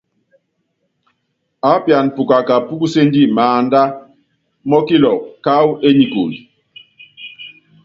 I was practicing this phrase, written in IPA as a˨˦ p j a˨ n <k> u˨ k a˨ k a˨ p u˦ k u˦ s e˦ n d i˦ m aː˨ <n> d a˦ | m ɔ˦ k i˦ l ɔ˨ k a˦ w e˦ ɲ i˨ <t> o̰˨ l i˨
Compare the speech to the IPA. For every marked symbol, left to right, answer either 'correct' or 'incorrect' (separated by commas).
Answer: incorrect, correct, incorrect